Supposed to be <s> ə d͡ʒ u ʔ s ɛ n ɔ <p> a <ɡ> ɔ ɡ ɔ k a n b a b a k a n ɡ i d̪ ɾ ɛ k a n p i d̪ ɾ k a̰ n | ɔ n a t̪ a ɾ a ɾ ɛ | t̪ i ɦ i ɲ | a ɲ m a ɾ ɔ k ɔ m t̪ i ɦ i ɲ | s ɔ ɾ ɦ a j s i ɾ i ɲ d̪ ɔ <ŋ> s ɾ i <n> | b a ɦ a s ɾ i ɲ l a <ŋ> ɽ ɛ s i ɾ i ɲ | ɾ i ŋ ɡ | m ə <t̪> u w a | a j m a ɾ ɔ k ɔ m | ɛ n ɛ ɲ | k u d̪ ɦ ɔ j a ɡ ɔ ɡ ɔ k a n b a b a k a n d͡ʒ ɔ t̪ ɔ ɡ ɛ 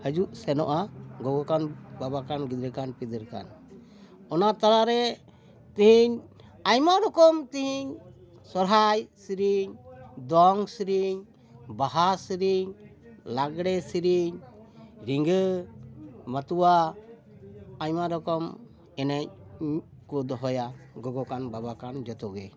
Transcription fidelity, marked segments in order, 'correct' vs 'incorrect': incorrect: h, incorrect: ʔ, correct, correct, incorrect: ɲ, incorrect: ɡ, correct

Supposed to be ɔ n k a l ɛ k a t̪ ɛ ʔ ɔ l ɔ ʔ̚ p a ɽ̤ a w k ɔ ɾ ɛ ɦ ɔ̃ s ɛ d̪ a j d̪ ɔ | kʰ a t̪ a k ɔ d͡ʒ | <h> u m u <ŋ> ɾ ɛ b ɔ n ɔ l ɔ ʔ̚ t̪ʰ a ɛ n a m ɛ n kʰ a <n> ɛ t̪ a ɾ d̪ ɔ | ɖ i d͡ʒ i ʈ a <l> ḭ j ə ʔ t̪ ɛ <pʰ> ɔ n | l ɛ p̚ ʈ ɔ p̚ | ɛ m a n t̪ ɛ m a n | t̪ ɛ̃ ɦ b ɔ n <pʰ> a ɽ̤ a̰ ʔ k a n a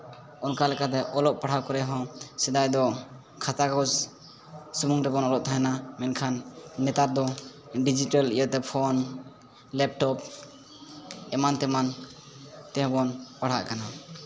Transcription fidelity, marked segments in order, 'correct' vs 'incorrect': incorrect: s, correct, incorrect: nː, correct, correct, incorrect: p

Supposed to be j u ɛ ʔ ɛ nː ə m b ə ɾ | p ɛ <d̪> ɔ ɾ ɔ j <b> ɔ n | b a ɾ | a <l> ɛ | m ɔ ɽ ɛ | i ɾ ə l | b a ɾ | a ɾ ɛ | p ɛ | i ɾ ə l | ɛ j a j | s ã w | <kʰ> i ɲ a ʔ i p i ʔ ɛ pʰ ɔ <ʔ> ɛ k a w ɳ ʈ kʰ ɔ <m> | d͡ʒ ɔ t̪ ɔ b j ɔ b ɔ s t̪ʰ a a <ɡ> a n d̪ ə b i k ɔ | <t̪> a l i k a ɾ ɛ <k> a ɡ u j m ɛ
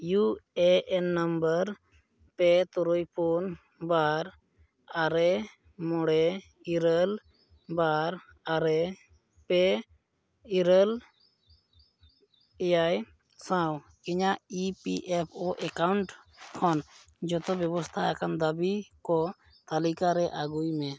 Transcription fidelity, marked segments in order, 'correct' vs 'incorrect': incorrect: t̪, incorrect: p, incorrect: ɾ, incorrect: k, correct, incorrect: n, incorrect: k, correct, incorrect: ʔ

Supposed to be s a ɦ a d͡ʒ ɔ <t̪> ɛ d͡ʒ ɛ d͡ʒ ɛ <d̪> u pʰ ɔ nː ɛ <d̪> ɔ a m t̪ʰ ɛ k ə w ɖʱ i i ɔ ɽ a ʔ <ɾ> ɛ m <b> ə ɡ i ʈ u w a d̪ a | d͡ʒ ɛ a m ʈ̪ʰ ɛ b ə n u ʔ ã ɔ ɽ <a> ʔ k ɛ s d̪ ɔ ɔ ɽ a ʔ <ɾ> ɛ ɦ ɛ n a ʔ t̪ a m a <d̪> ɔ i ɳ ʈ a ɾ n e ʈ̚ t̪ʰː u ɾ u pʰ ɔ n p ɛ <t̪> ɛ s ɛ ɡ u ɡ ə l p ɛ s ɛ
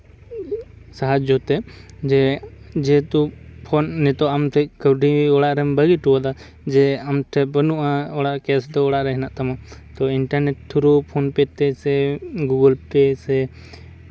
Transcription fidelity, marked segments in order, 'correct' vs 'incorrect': correct, incorrect: t̪, incorrect: t̪, correct, correct, correct, correct, incorrect: t̪, correct

